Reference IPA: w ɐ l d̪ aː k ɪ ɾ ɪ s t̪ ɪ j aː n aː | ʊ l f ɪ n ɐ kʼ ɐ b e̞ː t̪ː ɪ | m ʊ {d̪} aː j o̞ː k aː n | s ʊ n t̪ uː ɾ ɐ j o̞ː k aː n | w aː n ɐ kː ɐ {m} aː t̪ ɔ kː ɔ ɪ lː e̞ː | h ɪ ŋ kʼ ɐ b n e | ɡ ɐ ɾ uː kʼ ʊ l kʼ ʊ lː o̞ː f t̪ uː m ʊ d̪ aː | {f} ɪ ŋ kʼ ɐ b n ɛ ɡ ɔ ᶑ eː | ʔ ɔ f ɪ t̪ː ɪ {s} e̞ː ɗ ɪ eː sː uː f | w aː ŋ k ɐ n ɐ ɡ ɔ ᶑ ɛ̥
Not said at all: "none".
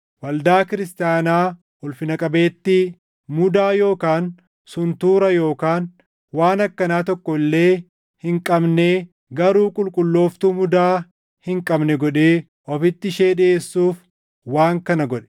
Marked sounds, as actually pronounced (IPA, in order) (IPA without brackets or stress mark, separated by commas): d̪, n, h, ʃ